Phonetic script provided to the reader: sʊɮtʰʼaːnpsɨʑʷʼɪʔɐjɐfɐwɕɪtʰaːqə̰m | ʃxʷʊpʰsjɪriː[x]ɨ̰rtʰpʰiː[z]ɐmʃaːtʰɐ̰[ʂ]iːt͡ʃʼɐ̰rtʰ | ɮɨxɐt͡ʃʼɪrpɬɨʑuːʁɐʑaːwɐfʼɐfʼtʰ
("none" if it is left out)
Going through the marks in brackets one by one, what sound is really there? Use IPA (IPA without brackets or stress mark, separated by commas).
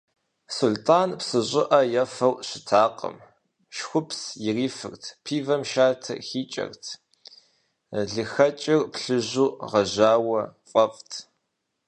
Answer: f, v, x